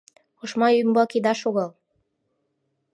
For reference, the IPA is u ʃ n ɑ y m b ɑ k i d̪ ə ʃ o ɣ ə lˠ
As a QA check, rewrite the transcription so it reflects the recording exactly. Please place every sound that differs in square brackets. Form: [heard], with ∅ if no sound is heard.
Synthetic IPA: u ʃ [m] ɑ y m b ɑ k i d̪ [ɑ] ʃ o ɣ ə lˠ